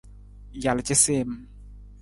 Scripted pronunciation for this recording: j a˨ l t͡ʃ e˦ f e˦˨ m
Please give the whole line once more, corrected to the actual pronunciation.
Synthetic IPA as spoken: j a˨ l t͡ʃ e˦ s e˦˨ m